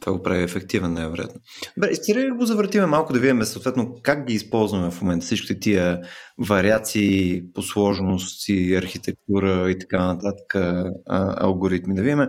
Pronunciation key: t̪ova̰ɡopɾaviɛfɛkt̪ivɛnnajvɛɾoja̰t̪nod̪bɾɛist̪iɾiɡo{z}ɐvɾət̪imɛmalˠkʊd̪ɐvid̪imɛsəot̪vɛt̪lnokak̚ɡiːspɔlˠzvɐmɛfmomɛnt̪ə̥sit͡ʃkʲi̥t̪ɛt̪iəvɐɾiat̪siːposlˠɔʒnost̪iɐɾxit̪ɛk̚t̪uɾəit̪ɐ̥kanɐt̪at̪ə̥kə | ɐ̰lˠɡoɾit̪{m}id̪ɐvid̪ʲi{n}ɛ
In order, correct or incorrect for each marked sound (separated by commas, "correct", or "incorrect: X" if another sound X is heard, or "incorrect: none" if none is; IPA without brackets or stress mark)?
correct, correct, incorrect: m